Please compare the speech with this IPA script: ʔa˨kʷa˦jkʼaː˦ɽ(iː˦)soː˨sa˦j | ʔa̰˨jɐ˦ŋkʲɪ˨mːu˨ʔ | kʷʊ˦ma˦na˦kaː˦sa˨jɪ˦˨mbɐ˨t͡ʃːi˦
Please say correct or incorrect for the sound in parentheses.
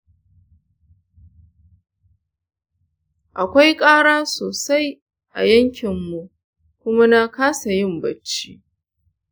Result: incorrect